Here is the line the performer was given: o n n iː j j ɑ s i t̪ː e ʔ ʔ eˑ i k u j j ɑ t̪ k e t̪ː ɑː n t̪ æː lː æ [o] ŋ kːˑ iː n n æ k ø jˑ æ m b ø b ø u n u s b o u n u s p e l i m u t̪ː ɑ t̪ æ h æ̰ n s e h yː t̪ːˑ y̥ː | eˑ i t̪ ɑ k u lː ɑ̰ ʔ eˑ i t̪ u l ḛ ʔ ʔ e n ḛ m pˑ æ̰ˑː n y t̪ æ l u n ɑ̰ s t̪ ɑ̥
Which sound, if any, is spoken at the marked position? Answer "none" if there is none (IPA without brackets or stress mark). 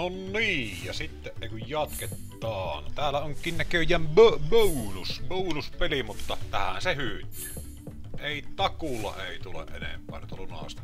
o